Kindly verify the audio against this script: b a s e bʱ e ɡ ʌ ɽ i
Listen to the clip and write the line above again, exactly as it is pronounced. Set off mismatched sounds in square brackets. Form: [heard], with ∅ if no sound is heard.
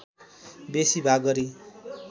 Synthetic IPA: b [e] s [i] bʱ [a] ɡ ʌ [ɾ] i